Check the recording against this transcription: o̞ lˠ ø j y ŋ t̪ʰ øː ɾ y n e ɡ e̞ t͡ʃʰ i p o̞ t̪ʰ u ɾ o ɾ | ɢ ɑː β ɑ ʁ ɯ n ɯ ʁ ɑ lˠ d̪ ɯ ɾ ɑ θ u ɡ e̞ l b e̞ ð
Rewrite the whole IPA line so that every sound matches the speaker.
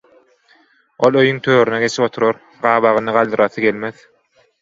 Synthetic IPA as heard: o̞ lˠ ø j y ŋ t̪ʰ øː ɾ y n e ɡ e̞ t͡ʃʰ i p o̞ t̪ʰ u ɾ o ɾ | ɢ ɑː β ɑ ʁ ɯ n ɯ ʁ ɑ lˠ d̪ ɯ ɾ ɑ θ ɯ ɡ e̞ l m e̞ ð